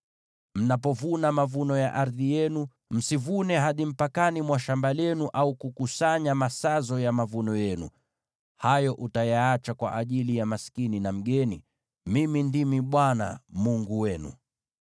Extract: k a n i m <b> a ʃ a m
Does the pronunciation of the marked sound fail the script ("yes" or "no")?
yes